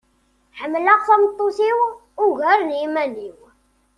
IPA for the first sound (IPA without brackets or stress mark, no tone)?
ħ